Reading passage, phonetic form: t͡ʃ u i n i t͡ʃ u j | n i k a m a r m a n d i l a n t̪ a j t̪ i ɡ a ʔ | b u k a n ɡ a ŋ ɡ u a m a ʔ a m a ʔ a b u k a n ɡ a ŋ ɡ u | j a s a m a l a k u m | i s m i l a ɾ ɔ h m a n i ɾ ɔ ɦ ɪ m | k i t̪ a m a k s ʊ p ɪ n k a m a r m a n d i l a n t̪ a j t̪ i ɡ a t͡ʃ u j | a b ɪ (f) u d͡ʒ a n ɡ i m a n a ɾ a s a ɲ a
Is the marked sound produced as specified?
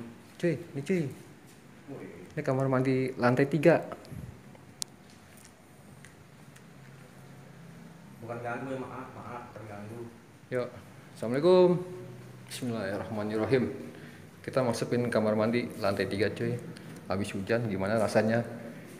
no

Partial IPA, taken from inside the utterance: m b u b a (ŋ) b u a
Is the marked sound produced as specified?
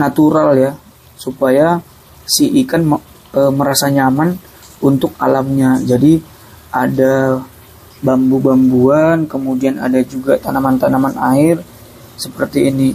no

